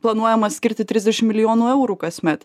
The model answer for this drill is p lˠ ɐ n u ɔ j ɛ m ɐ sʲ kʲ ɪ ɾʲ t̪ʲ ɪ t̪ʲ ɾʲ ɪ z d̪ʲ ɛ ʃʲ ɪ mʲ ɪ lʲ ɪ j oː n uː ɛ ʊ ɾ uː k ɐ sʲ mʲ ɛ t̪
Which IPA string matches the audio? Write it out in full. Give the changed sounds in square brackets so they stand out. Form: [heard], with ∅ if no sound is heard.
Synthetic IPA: p lˠ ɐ n u ɔ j ɛ m ɐ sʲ kʲ ɪ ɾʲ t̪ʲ ɪ t̪ʲ ɾʲ ɪ z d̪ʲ ɛ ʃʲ ɪ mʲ ɪ lʲ ɪ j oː n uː ɛ ʊ ɾ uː k ɐ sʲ mʲ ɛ t̪

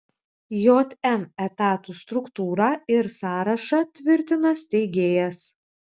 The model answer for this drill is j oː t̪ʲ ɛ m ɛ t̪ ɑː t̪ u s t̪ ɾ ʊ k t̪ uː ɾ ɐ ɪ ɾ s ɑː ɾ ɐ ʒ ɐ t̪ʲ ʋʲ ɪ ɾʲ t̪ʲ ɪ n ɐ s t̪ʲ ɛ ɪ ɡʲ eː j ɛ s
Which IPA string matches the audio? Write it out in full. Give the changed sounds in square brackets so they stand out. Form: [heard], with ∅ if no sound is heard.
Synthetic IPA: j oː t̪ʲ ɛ m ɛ t̪ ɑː t̪ u s t̪ ɾ ʊ k t̪ uː ɾ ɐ ɪ ɾ s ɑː ɾ ɐ [ʃ] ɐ t̪ʲ ʋʲ ɪ ɾʲ t̪ʲ ɪ n ɐ s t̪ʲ ɛ ɪ ɡʲ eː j ɛ s

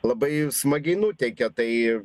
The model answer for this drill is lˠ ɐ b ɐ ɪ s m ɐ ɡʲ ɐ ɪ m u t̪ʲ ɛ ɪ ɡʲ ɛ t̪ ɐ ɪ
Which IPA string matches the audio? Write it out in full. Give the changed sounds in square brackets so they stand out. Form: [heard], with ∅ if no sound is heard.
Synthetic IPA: lˠ ɐ b ɐ ɪ s m ɐ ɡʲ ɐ ɪ [n] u t̪ʲ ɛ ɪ [kʲ] ɛ t̪ ɐ ɪ

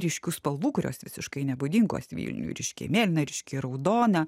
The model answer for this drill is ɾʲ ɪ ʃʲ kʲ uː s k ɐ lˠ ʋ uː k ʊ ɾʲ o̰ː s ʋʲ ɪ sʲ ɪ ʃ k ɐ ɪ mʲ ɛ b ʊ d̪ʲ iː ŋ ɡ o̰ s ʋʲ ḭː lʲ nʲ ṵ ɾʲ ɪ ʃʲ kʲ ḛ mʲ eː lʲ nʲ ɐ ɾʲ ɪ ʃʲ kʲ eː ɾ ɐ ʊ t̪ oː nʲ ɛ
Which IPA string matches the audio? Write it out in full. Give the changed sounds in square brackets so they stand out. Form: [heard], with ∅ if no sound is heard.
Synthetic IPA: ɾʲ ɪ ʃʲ kʲ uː s [p] ɐ lˠ ʋ uː k ʊ ɾʲ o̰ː s ʋʲ ɪ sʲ ɪ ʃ k ɐ ɪ [nʲ] ɛ b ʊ d̪ʲ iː ŋ ɡ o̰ s ʋʲ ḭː lʲ nʲ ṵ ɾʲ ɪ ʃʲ kʲ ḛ mʲ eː lʲ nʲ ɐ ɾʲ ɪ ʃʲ kʲ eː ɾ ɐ ʊ [d̪] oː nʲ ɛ

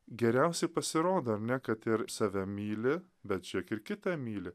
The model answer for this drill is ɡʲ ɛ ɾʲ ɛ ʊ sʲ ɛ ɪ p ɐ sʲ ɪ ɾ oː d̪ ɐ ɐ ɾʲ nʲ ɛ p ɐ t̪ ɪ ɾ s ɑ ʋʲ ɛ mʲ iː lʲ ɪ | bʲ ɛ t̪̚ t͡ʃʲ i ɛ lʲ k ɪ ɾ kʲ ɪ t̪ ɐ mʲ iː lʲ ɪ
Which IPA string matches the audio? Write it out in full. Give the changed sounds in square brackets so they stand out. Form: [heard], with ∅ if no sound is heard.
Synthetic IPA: ɡʲ ɛ ɾʲ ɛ ʊ sʲ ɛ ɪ p ɐ sʲ ɪ ɾ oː d̪ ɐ ɐ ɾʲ nʲ ɛ [k] ɐ t̪ ɪ ɾ s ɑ ʋʲ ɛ mʲ iː lʲ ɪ | bʲ ɛ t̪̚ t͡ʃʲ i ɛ [∅] k ɪ ɾ kʲ ɪ t̪ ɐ mʲ iː lʲ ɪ

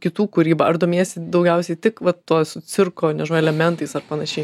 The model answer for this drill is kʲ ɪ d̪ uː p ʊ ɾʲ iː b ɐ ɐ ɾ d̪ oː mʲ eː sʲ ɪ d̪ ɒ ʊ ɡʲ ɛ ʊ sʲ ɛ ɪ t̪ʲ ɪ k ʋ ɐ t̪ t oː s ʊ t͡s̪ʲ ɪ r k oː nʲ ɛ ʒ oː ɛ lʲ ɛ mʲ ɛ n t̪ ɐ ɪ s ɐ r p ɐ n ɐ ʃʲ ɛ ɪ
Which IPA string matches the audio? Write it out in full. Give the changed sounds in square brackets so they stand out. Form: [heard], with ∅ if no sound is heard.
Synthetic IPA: kʲ ɪ [t̪] uː [k] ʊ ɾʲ iː b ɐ ɐ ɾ d̪ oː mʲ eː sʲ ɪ d̪ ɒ ʊ ɡʲ ɛ ʊ sʲ ɛ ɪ t̪ʲ ɪ k ʋ ɐ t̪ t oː s ʊ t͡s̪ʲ ɪ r k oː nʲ ɛ ʒ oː ɛ lʲ ɛ mʲ ɛ n t̪ ɐ ɪ s ɐ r p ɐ n ɐ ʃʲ ɛ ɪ

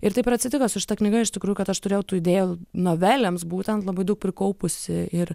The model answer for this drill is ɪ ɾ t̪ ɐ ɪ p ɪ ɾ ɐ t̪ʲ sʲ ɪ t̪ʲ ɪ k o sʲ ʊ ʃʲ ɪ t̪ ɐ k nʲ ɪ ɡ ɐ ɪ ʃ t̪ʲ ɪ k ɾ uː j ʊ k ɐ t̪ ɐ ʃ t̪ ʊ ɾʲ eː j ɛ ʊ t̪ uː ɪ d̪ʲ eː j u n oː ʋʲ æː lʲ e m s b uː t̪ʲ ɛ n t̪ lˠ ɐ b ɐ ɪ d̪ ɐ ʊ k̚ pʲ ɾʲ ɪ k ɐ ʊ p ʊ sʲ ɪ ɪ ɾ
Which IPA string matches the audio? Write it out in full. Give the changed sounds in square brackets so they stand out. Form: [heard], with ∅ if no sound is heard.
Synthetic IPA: ɪ ɾ t̪ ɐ ɪ p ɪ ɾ ɐ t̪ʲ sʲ ɪ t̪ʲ ɪ k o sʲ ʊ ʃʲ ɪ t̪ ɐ k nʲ ɪ ɡ ɐ ɪ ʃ t̪ʲ ɪ k ɾ uː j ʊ k ɐ t̪ ɐ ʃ t̪ ʊ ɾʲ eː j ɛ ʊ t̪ uː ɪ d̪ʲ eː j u n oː ʋʲ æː lʲ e m s b uː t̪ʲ ɛ n t̪ lˠ ɐ b ɐ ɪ d̪ ɐ ʊ k̚ pʲ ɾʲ ɪ k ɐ ʊ p ʊ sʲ ɪ ɪ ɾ

